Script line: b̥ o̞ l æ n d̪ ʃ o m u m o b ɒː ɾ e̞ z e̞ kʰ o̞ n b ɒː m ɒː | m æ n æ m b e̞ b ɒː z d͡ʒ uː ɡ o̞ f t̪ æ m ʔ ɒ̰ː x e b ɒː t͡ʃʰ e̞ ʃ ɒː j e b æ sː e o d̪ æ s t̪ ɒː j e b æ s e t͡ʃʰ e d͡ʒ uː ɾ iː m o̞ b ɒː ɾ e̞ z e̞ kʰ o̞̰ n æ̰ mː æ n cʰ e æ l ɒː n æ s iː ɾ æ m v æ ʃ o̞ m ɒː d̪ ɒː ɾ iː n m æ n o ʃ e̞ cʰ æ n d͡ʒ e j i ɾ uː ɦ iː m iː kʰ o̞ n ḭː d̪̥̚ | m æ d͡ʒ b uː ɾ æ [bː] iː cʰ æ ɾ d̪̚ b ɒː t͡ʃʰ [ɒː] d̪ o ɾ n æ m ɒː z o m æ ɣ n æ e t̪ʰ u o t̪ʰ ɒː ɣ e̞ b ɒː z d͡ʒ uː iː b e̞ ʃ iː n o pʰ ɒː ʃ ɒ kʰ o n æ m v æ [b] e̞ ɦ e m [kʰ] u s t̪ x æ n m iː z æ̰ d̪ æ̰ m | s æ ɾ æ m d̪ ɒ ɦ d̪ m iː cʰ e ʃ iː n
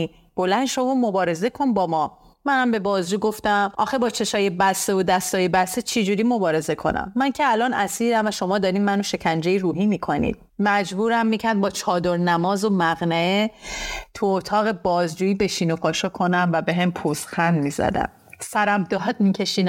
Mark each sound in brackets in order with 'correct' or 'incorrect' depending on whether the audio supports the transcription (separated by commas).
incorrect, correct, correct, incorrect